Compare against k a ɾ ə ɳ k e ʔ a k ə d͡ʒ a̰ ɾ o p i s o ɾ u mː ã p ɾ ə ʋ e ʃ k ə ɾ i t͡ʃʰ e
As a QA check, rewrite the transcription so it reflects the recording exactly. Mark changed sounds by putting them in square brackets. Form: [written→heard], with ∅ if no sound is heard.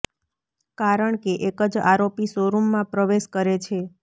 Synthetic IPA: k a ɾ ə ɳ k e ʔ [a→e] k ə d͡ʒ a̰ ɾ o p i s o ɾ u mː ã p ɾ ə ʋ e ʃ k ə ɾ [i→e] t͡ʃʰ e

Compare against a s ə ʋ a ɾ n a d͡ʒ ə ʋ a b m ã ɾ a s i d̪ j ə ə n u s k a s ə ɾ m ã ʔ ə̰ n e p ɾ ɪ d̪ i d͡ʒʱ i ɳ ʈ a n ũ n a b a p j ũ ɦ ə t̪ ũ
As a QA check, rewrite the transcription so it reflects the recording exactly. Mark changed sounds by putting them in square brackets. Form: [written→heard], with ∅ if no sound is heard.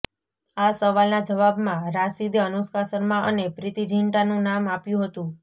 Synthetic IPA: a s ə ʋ a [ɾ→l] n a d͡ʒ ə ʋ a b m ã ɾ a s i d̪ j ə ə n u s k a s ə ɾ m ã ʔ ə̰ n e p ɾ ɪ [d̪→t̪] i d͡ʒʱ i ɳ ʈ a n ũ n a [b→m] a p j ũ ɦ ə t̪ ũ

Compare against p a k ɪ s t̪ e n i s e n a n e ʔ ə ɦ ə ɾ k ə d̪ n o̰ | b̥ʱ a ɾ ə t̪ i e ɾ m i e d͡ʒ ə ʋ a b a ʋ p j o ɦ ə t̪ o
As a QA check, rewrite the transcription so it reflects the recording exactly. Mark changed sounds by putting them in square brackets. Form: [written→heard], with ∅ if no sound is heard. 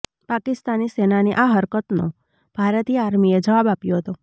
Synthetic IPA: p a k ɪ s t̪ [e→a] n i s e n a n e ʔ [ə→a] ɦ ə ɾ k ə [d̪→t̪] n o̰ | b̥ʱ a ɾ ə t̪ i [e→a] ɾ m i e d͡ʒ ə ʋ a b a [ʋ→∅] p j o ɦ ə t̪ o

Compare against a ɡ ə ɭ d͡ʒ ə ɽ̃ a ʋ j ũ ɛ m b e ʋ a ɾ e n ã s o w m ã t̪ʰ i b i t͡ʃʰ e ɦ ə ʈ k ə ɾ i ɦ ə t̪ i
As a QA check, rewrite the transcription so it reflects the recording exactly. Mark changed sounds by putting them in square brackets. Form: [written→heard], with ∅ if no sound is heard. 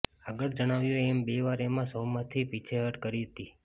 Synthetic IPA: a ɡ ə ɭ d͡ʒ ə ɽ̃ a ʋ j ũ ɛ m b e ʋ a ɾ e [n→m] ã s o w m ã t̪ʰ i [b→p] i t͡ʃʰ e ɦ ə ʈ k ə ɾ i ɦ ə t̪ i

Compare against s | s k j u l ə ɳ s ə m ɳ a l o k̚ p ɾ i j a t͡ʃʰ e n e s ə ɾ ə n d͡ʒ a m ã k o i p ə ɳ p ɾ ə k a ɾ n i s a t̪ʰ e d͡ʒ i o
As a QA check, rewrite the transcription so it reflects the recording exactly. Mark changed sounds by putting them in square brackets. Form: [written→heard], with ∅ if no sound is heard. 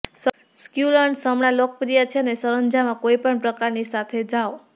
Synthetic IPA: s | s k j u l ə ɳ s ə m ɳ a l o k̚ p ɾ i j a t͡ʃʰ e n e s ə ɾ ə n d͡ʒ a m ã k o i p ə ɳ p ɾ ə k a ɾ n i s a t̪ʰ e d͡ʒ [i→a] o

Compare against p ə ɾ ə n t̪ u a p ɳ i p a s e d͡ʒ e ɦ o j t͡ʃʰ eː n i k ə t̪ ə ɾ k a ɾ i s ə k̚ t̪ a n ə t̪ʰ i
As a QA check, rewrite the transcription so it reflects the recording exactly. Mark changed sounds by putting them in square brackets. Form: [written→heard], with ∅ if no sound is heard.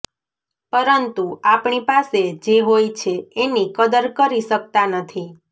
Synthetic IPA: p ə ɾ ə n t̪ u a p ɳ i p a s e d͡ʒ e ɦ o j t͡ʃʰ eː n i k ə [t̪→d̪] ə ɾ k [a→ə] ɾ i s ə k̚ t̪ a n ə t̪ʰ i

